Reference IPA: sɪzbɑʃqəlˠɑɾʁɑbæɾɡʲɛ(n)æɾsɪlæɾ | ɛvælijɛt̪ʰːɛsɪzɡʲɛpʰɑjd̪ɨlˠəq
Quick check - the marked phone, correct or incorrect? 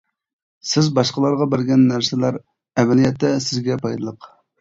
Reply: incorrect